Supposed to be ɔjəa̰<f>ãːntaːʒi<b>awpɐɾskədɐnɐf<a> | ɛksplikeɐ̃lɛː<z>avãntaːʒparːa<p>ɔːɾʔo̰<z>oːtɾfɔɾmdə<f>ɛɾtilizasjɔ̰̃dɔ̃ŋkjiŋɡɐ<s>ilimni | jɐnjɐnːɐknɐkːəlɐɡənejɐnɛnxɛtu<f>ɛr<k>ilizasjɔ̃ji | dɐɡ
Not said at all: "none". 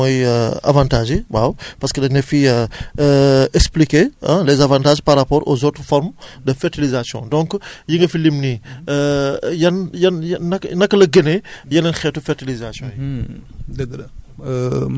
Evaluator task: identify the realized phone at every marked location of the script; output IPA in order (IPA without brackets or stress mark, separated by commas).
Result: v, w, i, z, p, z, f, f, f, t